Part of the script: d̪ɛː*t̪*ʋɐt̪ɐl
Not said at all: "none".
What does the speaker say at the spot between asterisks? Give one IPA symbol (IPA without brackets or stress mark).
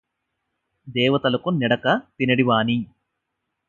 none